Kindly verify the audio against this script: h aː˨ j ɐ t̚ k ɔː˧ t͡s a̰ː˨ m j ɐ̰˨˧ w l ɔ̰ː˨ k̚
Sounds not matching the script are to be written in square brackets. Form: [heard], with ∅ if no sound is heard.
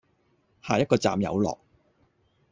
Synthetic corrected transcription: h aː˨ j ɐ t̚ k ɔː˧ t͡s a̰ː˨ m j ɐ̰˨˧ w l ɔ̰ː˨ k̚